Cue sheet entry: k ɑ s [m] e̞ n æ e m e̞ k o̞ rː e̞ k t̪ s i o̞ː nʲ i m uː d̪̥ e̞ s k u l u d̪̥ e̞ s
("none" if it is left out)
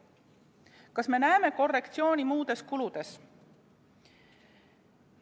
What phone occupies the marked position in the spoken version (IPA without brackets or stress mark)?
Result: m